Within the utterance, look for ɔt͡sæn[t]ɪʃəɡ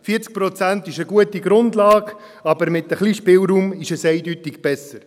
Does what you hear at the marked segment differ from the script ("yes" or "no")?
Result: no